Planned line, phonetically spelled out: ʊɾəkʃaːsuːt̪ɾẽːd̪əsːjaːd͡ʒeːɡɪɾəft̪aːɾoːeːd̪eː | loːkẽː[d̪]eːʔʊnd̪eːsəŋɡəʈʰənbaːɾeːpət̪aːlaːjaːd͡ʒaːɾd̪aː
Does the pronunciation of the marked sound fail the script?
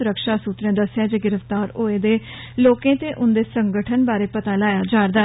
yes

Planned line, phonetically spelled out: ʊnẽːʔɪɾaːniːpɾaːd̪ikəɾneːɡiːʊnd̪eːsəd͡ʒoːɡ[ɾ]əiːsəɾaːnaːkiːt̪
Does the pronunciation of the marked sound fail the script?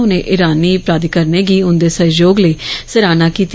yes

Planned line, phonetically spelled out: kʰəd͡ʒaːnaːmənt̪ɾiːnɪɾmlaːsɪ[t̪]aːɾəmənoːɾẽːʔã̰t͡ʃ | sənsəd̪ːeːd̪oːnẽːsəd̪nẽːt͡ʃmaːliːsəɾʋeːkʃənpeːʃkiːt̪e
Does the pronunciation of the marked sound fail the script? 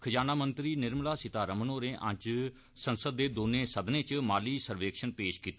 no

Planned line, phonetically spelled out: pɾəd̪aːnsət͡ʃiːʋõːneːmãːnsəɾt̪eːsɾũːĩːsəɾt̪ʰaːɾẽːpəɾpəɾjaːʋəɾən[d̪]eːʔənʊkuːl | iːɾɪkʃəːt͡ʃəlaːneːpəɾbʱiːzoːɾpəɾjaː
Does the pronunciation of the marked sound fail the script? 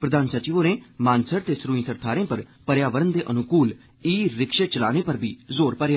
no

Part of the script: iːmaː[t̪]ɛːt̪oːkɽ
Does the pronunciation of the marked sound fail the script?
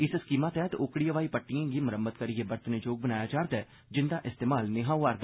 no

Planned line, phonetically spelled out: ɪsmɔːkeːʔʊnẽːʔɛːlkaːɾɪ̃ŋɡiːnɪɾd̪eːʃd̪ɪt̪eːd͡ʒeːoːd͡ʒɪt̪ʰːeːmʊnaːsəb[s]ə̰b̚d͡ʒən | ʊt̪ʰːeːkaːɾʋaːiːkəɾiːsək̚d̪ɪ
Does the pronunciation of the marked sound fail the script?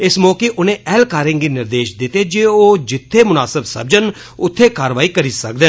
no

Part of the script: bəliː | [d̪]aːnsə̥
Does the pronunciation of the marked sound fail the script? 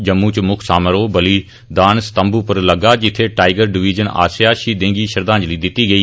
no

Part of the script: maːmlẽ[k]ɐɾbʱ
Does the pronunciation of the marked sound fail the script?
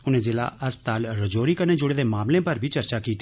yes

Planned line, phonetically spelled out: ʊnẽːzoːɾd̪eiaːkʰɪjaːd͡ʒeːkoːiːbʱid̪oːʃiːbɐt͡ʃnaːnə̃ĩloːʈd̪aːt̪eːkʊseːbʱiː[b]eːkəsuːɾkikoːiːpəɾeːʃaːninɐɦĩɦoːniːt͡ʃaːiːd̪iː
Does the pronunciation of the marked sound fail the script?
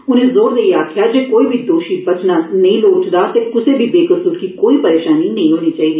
no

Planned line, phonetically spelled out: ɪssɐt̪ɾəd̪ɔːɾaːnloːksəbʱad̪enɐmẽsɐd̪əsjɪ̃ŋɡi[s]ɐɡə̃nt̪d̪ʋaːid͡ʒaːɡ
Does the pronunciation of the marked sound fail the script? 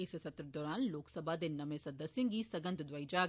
no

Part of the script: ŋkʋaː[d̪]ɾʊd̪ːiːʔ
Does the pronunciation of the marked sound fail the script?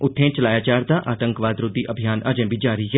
no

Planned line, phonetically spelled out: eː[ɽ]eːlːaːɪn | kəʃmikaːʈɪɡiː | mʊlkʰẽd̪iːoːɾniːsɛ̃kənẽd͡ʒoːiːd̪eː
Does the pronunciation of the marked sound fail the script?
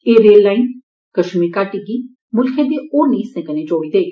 yes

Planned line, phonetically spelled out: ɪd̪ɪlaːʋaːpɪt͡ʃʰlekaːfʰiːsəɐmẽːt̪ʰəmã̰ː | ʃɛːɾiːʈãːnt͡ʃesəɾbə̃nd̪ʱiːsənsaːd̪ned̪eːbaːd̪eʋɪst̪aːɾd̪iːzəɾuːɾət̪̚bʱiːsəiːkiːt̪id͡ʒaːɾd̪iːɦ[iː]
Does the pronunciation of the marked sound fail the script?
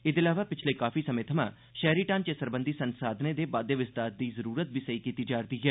yes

